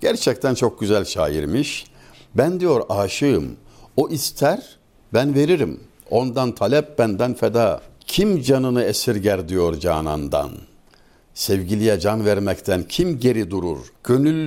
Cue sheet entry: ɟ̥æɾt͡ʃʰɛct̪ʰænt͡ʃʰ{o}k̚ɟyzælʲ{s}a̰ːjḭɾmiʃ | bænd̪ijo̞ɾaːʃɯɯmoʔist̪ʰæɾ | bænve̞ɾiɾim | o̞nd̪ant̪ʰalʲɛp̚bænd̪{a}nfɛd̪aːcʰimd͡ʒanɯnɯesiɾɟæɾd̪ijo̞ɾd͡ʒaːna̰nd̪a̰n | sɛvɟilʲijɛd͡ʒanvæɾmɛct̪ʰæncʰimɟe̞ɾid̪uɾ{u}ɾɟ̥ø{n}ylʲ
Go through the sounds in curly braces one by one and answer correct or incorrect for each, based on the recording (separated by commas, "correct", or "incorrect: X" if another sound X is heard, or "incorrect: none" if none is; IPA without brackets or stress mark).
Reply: correct, incorrect: ʃ, incorrect: æ, correct, correct